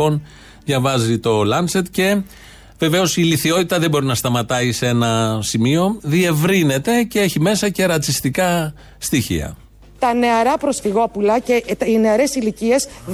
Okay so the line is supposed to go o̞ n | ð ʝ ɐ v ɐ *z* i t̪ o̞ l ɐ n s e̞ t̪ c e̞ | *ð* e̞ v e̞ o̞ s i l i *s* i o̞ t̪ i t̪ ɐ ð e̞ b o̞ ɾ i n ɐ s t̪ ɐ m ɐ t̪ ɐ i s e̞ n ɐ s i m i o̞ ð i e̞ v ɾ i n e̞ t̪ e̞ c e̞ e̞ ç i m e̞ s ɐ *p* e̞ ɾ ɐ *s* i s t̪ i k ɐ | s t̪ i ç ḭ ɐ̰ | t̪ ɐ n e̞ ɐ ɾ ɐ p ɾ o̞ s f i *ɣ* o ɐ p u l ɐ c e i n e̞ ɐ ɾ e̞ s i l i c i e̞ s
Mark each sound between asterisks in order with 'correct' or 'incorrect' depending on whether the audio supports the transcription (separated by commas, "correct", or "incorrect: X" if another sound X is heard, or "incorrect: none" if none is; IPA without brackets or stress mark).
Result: correct, incorrect: v, incorrect: θ, incorrect: c, incorrect: t͡s, correct